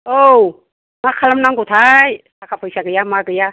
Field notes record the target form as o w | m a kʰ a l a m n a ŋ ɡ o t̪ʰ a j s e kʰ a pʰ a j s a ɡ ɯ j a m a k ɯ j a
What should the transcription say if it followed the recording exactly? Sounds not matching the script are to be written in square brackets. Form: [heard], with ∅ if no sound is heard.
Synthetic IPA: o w | m a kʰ a l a m n a ŋ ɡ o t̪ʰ a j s [a] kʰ a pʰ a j s a ɡ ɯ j a m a [ɡ] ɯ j a